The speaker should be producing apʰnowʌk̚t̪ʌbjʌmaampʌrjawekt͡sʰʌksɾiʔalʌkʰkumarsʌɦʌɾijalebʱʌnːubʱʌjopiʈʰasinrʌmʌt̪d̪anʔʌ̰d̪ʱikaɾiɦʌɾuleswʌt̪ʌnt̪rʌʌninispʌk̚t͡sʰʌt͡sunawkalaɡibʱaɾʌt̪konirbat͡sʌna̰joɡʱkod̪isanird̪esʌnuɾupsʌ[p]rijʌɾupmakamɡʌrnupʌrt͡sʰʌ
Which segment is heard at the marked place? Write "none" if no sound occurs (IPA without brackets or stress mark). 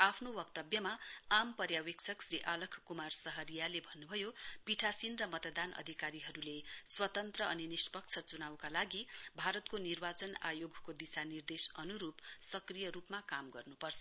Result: k